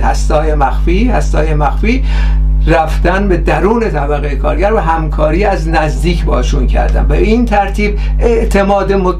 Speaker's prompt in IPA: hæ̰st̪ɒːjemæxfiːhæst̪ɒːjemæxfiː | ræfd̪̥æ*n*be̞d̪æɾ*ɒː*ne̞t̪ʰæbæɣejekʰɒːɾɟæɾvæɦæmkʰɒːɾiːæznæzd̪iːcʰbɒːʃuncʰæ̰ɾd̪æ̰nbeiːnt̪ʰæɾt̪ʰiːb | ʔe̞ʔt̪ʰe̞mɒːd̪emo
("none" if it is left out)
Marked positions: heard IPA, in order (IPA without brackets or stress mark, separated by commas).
n, uː